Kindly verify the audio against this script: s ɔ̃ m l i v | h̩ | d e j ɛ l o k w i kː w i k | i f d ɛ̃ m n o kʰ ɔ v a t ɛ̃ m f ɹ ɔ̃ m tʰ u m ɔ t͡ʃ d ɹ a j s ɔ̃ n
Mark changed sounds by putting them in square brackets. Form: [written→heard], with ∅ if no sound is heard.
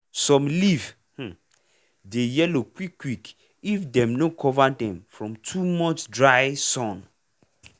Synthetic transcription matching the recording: s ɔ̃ m l i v | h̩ | d e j ɛ l o k w i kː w i k | i f d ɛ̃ m n o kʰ ɔ v a [t→d] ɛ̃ m f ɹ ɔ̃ m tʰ u m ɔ t͡ʃ d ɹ a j s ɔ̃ n